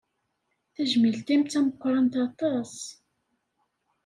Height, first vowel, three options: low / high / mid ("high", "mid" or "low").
low